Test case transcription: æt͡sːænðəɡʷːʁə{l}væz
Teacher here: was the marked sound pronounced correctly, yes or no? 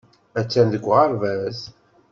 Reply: no